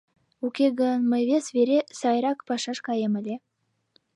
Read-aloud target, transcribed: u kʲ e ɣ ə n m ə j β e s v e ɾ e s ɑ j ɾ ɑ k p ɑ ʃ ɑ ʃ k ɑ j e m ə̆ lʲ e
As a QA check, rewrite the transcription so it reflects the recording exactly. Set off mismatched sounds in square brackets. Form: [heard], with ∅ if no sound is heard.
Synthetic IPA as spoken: u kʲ e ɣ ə n m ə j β e s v e ɾ e s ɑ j ɾ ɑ k p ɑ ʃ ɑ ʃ k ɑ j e m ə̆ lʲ e